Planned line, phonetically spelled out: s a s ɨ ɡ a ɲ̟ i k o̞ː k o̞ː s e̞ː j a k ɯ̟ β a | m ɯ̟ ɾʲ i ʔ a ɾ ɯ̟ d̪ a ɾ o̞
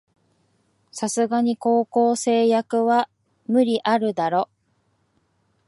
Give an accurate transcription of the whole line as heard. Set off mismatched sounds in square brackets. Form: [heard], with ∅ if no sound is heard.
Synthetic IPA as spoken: s a s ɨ ɡ a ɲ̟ i k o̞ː k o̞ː s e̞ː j a k ɯ̟ β a | m ɯ̟ ɾʲ i ʔ a ɾ ɯ̟ d̪ a ɾ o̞